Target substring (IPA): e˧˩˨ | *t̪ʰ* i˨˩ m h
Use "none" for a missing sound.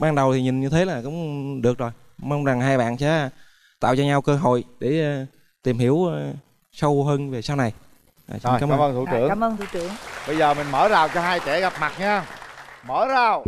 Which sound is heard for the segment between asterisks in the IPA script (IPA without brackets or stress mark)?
t̪